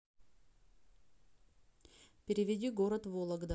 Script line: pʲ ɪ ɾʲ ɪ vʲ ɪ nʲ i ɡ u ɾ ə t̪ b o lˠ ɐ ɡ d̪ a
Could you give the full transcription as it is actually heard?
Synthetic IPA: pʲ ɪ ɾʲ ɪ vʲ ɪ dʲ i ɡ o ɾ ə t̪ v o lˠ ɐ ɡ d̪ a